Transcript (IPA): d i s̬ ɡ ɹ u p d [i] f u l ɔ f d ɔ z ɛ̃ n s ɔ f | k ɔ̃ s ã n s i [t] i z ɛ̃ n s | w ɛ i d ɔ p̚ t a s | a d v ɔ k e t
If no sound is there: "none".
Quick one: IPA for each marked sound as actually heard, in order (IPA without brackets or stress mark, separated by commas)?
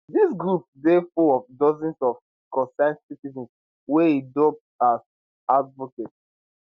e, t